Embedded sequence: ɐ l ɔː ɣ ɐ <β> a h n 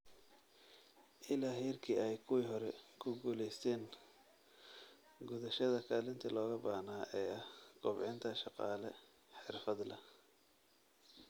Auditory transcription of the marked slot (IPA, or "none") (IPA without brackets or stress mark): b